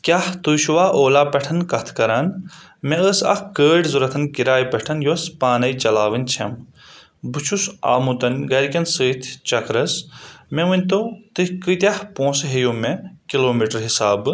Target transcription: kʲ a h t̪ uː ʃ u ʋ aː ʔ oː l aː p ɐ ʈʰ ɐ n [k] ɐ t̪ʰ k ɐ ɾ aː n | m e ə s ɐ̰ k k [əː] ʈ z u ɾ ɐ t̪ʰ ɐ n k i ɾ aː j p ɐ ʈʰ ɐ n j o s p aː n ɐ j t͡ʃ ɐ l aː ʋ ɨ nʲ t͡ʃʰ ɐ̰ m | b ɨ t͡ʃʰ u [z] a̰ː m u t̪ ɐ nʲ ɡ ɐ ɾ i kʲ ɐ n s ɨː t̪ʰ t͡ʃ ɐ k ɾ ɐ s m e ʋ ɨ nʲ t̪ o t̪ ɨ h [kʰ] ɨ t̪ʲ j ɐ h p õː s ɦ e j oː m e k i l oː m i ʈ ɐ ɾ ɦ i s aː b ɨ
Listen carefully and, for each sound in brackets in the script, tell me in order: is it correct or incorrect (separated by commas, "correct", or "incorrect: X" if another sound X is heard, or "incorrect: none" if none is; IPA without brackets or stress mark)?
correct, correct, incorrect: s, incorrect: k